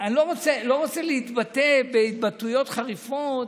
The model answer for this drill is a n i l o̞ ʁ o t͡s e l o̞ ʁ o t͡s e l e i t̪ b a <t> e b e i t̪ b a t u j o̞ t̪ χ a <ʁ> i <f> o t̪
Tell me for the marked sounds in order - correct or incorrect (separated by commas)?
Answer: correct, correct, correct